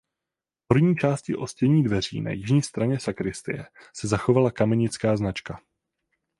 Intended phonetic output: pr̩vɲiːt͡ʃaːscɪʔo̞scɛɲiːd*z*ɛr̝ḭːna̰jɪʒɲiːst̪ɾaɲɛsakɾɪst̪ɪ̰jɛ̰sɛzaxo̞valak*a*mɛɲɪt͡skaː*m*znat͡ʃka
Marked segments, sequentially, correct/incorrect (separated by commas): incorrect, correct, incorrect